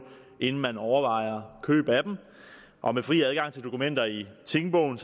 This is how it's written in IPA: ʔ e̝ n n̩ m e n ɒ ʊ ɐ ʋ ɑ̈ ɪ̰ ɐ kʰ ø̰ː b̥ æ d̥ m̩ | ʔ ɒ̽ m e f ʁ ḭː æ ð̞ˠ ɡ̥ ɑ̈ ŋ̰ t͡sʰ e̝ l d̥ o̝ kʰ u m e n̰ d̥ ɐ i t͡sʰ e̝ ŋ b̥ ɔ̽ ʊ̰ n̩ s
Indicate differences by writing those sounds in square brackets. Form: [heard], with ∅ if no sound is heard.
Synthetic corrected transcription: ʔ e̝ n n̩ m [æ] n ɒ ʊ ɐ ʋ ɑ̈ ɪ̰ ɐ kʰ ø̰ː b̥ æ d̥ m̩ | ʔ ɒ̽ m e f ʁ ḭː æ ð̞ˠ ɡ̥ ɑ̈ ŋ̰ t͡sʰ e̝ l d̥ o̝ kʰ u m e n̰ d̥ ɐ i t͡sʰ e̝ ŋ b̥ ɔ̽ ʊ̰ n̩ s